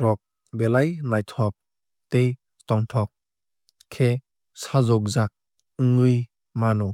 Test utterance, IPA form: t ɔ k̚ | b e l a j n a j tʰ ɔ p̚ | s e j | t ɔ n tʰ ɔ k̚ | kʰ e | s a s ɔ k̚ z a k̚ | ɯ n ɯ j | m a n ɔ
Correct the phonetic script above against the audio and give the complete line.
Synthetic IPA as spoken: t ɔ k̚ | b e l a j n a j tʰ ɔ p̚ | t e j | t ɔ ŋ tʰ ɔ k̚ | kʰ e | s a z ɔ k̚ z a k̚ | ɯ ŋ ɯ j | m a n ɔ